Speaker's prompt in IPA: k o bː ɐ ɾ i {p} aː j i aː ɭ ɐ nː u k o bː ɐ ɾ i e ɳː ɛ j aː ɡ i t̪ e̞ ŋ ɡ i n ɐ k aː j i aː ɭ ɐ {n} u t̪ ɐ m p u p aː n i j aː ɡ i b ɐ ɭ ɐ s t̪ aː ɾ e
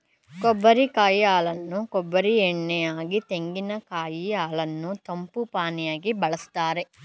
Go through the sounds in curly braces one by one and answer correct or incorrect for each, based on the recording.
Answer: incorrect: k, incorrect: nː

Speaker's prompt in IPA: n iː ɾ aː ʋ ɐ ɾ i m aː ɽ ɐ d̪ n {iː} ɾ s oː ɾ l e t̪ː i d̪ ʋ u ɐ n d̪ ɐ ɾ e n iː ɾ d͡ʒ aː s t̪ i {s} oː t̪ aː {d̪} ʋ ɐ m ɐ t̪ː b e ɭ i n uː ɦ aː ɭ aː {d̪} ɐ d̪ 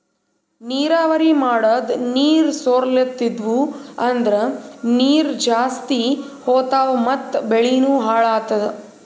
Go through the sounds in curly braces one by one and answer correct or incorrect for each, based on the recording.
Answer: correct, incorrect: h, incorrect: none, incorrect: t̪

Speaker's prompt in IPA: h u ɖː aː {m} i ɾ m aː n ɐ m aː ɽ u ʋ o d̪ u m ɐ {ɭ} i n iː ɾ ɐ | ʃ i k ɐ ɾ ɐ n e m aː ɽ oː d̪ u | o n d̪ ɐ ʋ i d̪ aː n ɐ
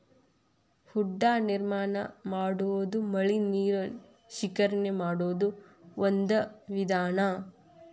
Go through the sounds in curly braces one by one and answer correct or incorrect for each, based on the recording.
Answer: incorrect: n, correct

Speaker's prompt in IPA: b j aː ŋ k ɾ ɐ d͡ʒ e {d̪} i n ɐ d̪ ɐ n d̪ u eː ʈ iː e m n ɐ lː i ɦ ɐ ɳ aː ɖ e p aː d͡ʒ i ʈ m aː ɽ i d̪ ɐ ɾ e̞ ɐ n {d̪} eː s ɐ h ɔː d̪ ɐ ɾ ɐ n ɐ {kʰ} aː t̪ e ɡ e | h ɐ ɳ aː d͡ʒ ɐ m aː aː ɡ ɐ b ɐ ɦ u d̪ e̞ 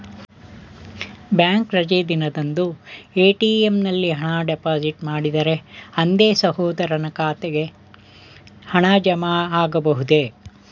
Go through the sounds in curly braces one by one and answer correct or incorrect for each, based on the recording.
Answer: correct, correct, incorrect: k

